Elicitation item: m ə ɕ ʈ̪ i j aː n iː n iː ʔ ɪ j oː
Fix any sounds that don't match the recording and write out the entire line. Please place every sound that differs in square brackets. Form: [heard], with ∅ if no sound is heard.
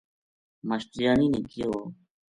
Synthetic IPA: m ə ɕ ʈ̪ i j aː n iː n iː [k] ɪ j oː